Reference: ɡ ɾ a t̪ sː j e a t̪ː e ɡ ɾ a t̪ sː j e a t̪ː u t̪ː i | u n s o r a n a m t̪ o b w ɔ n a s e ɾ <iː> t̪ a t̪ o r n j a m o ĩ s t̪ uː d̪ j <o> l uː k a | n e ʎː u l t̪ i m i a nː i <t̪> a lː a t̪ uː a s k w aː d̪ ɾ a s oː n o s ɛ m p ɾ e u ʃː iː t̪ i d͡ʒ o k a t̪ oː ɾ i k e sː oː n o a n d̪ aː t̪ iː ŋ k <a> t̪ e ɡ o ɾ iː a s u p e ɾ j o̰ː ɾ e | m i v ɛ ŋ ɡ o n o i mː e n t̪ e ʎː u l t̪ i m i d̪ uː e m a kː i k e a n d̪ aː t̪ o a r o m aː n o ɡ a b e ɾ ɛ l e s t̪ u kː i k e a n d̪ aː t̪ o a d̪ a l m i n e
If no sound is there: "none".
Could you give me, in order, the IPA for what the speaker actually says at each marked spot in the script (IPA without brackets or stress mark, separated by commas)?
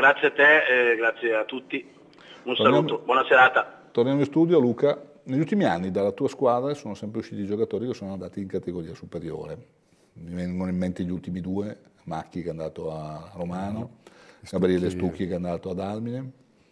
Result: aː, o, d̪, a